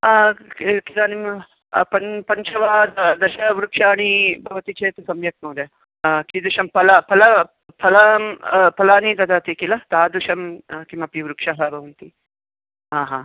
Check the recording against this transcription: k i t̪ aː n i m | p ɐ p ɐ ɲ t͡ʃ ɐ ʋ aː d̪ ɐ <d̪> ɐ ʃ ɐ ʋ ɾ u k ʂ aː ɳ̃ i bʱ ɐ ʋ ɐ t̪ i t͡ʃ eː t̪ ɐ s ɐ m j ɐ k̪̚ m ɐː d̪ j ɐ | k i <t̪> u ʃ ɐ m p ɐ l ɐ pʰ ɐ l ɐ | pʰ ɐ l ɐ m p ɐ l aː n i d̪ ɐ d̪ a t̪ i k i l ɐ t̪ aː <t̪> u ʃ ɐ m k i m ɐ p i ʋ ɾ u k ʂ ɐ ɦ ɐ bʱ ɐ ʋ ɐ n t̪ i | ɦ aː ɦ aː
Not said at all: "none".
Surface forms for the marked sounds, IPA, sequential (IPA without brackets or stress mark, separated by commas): d̪, d̪, d̪